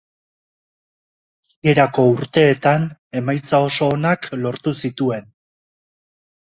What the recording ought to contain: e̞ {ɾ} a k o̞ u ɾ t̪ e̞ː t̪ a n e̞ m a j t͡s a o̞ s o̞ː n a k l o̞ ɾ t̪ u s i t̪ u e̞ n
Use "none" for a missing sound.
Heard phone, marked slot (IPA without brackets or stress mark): ɾ